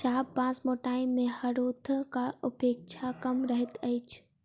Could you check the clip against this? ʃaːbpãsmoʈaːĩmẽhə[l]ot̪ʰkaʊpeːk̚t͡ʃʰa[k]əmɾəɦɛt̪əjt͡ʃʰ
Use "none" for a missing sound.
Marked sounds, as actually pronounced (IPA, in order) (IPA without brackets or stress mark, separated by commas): ɾ, k